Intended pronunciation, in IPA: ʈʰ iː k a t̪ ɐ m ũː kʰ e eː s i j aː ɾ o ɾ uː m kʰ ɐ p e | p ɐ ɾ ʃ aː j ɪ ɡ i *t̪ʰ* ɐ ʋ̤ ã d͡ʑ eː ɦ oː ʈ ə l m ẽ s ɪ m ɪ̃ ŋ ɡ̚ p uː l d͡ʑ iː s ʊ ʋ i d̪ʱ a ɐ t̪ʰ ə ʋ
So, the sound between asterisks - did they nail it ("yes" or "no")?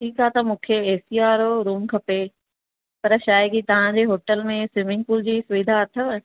no